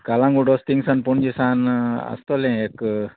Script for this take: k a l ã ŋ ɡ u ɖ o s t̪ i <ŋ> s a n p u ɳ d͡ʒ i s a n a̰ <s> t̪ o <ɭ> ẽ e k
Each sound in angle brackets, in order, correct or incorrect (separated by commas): correct, correct, incorrect